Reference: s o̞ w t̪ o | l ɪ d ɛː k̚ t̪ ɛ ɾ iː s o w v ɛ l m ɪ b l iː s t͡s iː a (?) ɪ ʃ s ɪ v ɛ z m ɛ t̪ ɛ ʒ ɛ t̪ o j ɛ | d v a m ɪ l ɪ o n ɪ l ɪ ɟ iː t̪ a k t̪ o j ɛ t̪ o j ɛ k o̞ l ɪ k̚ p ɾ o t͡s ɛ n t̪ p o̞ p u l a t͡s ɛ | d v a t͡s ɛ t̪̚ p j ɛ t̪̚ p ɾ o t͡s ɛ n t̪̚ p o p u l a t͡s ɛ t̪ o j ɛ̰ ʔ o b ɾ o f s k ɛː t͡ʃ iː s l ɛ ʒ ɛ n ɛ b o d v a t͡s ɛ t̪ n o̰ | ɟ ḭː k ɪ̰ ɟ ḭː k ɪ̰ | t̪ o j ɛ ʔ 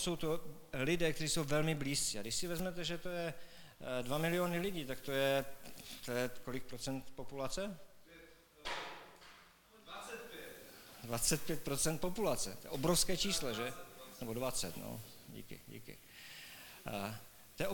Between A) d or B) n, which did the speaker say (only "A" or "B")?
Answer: A